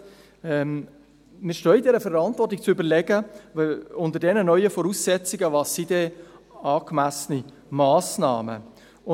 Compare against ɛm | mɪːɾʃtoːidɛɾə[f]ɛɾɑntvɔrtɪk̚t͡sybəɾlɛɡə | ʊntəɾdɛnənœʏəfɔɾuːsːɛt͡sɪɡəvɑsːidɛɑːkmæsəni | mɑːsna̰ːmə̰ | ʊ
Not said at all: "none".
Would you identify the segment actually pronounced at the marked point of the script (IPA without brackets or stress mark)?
f